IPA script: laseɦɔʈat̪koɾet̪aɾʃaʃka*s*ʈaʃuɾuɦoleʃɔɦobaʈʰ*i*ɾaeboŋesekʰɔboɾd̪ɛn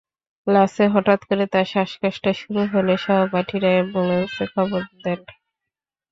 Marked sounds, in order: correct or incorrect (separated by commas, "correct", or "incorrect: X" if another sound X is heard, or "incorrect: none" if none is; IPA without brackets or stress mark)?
incorrect: ʃ, correct